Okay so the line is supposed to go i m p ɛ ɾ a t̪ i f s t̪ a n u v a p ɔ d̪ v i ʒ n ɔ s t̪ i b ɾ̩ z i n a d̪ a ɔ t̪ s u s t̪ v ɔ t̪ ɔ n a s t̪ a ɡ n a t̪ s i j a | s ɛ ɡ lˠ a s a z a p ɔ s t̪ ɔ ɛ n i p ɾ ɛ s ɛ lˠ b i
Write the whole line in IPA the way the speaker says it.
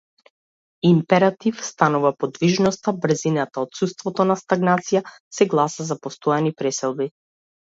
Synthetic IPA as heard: i m p ɛ ɾ a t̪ i f s t̪ a n u v a p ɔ d̪ v i ʒ n ɔ s t̪ a b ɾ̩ z i n a t̪ a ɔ t̪ s u s t̪ v ɔ t̪ ɔ n a s t̪ a ɡ n a t̪ s i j a | s ɛ ɡ lˠ a s a z a p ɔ s t̪ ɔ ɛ n i p ɾ ɛ s ɛ lˠ b i